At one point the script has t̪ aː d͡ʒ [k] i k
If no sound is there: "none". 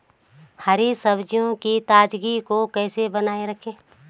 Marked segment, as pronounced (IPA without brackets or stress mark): ɡ